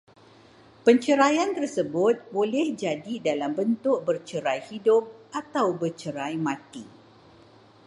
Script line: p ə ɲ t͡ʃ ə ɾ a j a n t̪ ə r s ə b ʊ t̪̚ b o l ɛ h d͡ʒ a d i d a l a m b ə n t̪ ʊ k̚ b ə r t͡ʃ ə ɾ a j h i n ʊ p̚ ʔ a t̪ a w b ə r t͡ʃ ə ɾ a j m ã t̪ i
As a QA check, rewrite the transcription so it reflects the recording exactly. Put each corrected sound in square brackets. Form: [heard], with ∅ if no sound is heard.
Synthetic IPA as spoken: p ə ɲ t͡ʃ ə ɾ a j a n t̪ ə r s ə b ʊ t̪̚ b o l ɛ h d͡ʒ a d i d a l a m b ə n t̪ ʊ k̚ b ə r t͡ʃ ə ɾ a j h i [d] ʊ p̚ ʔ a t̪ a w b ə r t͡ʃ ə ɾ a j m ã t̪ i